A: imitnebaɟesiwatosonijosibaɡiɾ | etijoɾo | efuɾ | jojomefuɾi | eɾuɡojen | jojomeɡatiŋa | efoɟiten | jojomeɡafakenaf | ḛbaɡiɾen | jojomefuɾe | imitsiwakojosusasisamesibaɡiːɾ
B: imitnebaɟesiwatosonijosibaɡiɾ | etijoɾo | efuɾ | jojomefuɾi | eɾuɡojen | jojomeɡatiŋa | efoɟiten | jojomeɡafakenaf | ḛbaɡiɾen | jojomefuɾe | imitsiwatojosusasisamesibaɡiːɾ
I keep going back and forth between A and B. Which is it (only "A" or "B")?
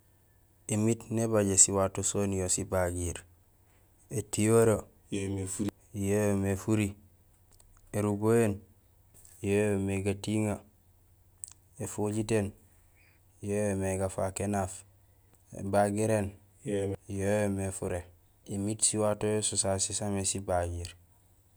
B